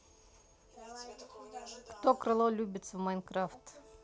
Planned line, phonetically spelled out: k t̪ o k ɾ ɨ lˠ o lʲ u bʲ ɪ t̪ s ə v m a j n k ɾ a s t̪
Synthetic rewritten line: k t̪ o k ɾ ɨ lˠ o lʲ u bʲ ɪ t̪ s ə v m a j n k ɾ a f t̪